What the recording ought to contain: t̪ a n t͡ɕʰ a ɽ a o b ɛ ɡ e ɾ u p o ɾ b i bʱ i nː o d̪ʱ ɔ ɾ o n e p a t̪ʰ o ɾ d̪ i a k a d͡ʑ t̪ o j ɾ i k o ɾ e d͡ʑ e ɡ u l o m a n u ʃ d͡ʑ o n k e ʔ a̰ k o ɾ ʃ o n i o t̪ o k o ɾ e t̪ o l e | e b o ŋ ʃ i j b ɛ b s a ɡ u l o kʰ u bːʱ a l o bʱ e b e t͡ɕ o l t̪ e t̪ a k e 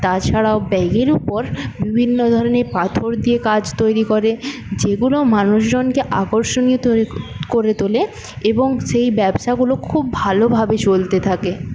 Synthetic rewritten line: t̪ a t͡ɕʰ a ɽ a o b ɛ ɡ e ɾ u p o ɾ b i bʱ i nː o d̪ʱ ɔ ɾ o n e p a t̪ʰ o ɾ d̪ i e k a d͡ʑ t̪ o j ɾ i k o ɾ e d͡ʑ e ɡ u l o m a n u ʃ d͡ʑ o n k e ʔ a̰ k o ɾ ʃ o n i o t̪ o k o ɾ e t̪ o l e | e b o ŋ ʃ e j b ɛ b ʃ a ɡ u l o kʰ u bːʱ a l o bʱ a b e t͡ɕ o l t̪ e t̪ʰ a k e

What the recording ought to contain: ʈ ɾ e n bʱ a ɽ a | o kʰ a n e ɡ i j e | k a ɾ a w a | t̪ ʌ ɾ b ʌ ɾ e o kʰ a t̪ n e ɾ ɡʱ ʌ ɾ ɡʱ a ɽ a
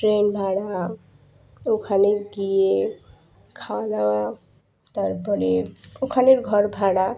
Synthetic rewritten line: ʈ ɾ e n bʱ a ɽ a | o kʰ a n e ɡ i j e | kʰ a l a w a | t̪ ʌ ɾ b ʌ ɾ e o kʰ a n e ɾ ɡʱ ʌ ɾ bʱ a ɽ a

